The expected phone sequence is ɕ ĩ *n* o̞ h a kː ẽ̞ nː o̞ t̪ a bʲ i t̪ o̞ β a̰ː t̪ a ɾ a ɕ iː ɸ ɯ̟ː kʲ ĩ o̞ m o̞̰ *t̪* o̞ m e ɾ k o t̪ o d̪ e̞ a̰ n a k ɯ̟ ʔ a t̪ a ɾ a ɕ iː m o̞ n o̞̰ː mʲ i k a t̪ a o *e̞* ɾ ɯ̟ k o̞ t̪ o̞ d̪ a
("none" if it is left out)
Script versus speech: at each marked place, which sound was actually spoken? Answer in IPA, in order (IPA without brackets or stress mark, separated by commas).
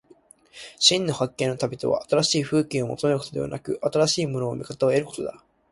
nː, t̪, e̞